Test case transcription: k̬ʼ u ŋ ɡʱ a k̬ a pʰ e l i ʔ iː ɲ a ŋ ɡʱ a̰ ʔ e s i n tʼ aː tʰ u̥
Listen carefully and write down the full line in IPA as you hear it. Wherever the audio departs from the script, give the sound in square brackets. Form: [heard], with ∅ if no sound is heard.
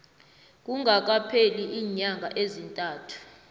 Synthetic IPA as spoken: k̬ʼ u ŋ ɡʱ a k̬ a pʰ e l i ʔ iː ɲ a ŋ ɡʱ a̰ ʔ e [z] i n tʼ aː tʰ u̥